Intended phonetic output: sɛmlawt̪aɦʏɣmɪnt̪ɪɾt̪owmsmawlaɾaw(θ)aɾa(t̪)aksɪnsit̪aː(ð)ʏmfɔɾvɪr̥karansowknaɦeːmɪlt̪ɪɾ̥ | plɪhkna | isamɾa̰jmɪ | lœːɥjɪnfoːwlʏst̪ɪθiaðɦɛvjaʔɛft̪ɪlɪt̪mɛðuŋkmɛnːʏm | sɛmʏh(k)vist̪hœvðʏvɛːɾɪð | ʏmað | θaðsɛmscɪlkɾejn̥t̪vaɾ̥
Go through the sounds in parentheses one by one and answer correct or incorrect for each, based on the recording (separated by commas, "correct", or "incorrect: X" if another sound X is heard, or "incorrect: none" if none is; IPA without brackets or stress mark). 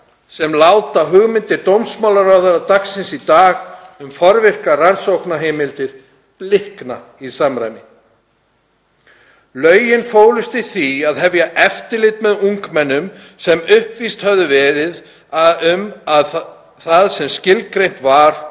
incorrect: ð, correct, incorrect: ɣ, incorrect: p